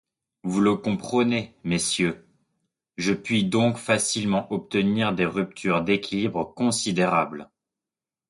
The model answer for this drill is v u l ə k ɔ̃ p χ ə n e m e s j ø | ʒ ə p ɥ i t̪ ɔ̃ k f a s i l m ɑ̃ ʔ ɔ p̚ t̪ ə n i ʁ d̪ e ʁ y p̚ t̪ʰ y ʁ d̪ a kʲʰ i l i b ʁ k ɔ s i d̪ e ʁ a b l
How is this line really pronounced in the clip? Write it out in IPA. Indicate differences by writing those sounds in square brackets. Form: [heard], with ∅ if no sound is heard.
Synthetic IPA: v u l ə k ɔ̃ p χ ə n e m e s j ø | ʒ ə p ɥ i [d̪] ɔ̃ k f a s i l m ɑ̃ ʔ ɔ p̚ t̪ ə n i ʁ d̪ e ʁ y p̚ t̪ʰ y ʁ d̪ [e] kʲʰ i l i b ʁ k [ɔ̃] s i d̪ e ʁ a b l